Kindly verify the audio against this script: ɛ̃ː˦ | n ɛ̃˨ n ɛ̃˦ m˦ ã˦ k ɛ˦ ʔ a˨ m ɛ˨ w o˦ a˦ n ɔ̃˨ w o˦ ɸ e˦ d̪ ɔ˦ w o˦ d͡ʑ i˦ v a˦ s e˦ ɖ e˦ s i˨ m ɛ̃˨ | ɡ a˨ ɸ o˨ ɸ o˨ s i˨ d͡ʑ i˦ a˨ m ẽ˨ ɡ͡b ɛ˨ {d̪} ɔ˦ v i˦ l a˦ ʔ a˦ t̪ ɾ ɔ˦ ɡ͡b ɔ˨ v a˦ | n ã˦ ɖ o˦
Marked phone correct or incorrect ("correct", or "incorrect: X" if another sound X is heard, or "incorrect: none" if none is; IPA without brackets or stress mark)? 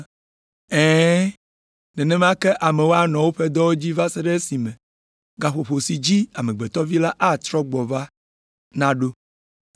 incorrect: t̪